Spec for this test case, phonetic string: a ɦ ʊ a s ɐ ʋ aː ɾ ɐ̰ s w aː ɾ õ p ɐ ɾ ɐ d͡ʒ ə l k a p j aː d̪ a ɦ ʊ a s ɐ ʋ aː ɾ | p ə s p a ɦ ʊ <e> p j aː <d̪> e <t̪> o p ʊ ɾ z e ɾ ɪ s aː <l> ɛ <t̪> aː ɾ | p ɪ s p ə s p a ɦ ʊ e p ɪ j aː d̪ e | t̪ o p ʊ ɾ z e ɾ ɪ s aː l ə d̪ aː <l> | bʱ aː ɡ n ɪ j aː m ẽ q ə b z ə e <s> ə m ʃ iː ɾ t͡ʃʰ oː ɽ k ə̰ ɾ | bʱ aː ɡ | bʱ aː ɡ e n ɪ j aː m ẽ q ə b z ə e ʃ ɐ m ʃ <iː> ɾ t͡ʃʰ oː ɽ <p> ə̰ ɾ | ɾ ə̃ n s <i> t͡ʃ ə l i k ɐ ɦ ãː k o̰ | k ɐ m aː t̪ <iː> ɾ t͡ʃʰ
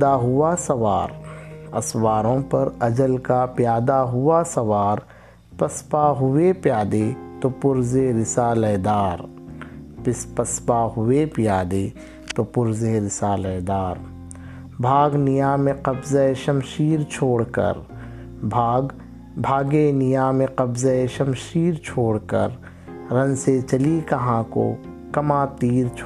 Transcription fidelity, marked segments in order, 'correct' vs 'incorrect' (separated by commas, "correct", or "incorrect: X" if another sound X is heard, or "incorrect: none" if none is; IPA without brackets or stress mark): correct, correct, correct, correct, incorrect: d̪, incorrect: ɾ, incorrect: ʃ, correct, incorrect: k, incorrect: e, correct